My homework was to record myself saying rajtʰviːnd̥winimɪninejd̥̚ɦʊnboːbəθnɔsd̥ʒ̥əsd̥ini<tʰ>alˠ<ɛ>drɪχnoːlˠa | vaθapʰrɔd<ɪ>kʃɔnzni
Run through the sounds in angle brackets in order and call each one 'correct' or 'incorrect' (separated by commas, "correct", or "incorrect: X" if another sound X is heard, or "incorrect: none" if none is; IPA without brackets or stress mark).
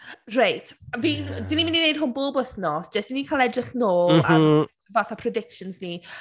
incorrect: kʰ, correct, correct